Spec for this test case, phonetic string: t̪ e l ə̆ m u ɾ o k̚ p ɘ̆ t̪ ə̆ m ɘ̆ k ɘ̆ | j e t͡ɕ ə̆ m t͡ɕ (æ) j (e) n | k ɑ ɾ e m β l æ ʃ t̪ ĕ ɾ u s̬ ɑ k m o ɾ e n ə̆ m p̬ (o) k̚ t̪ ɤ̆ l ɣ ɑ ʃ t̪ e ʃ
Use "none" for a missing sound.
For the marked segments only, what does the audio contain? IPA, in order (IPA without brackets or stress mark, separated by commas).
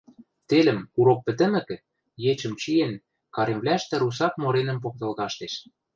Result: i, e, o